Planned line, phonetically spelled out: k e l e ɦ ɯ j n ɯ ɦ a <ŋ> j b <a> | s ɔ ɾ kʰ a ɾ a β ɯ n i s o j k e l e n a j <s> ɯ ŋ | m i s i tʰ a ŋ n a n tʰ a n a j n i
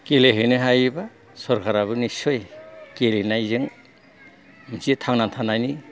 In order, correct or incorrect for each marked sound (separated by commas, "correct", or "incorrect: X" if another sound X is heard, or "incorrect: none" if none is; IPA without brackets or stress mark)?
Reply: incorrect: none, correct, incorrect: z